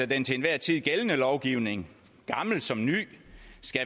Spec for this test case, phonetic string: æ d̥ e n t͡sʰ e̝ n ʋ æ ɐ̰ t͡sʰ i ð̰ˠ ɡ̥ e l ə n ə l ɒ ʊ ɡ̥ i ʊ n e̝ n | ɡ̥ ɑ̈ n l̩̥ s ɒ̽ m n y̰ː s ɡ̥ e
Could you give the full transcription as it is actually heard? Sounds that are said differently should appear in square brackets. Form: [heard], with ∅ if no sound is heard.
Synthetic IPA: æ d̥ e n t͡sʰ e̝ n ʋ æ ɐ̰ t͡sʰ i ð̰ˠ ɡ̥ e l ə n ə l ɒ ʊ ɡ̥ i ʊ n e̝ [ŋ] | ɡ̥ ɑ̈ [m] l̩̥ s ɒ̽ m n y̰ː s ɡ̥ [æ]